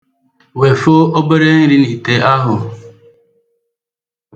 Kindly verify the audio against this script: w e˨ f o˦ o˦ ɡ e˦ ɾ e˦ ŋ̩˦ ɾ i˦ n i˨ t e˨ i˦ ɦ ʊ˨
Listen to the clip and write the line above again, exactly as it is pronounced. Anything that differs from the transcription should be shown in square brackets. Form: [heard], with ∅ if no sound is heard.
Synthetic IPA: w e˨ f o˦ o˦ [b] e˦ ɾ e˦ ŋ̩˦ ɾ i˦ n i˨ t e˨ [a˦] ɦ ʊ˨